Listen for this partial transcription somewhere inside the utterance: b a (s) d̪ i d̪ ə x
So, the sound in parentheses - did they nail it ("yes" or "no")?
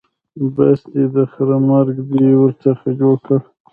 yes